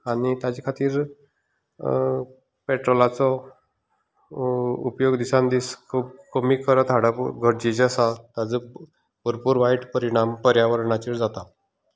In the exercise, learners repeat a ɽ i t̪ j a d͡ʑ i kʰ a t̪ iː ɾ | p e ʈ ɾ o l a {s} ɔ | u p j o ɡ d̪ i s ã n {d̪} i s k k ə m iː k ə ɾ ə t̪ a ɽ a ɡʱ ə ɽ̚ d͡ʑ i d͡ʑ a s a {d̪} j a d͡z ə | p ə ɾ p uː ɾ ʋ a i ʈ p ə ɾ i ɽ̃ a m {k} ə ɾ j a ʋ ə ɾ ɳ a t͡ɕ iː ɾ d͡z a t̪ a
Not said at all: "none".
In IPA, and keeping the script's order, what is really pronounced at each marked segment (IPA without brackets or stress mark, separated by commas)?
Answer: t͡s, d̪, t̪, p